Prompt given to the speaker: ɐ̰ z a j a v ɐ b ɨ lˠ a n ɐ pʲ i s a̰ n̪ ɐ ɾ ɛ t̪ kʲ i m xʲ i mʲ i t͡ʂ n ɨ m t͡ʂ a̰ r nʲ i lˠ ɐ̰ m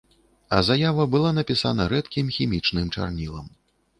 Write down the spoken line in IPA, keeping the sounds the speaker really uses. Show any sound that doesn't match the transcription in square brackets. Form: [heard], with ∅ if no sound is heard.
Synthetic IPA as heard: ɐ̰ z a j a v ɐ b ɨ lˠ a n ɐ pʲ i s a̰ n̪ ɐ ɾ ɛ t̪ kʲ i m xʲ i mʲ i t͡ʂ n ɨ m t͡ʂ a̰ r nʲ i lˠ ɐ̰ m